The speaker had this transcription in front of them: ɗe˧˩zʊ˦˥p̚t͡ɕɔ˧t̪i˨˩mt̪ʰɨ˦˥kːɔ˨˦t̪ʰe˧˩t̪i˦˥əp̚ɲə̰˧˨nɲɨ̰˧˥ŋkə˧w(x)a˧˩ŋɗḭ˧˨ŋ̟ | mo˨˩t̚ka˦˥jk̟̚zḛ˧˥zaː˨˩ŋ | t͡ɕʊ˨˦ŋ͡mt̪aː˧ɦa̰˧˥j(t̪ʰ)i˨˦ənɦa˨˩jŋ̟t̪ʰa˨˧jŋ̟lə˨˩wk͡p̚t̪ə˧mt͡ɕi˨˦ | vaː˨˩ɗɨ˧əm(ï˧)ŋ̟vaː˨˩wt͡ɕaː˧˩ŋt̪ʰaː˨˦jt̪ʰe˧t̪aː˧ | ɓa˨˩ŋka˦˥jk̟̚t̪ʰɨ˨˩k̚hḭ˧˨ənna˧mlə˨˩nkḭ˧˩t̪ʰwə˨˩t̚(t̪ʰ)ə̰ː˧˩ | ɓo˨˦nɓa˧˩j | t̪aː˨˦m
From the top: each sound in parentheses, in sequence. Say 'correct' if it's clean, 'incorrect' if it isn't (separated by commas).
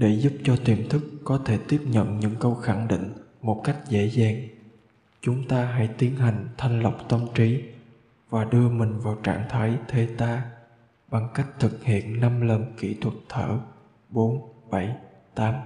correct, incorrect, incorrect, correct